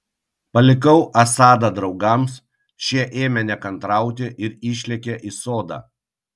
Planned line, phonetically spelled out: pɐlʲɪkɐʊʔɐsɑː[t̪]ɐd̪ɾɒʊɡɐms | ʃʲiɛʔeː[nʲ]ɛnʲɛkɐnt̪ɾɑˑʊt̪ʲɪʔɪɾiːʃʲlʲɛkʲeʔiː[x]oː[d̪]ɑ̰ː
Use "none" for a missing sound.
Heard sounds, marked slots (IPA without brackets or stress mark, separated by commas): d̪, mʲ, s, d̪